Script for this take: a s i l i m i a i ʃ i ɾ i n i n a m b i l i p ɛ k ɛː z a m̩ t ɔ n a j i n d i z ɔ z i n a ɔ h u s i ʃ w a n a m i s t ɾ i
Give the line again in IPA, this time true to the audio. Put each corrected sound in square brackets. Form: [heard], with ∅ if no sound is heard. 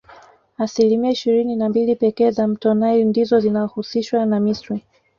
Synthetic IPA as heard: a s i l i m i a i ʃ i ɾ i n i n a m b i l i p ɛ k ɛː z a m̩ t ɔ n a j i n d i z ɔ z i n a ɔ h u s i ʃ w a n a m i s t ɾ i